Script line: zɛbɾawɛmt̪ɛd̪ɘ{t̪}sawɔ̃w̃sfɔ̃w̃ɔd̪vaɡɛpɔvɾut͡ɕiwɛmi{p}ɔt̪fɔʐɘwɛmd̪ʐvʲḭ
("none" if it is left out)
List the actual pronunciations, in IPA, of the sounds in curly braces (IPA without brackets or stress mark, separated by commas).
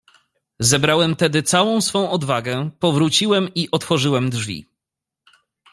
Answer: t̪, ʔ